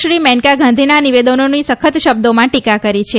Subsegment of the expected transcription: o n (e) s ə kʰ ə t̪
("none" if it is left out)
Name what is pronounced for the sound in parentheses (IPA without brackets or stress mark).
i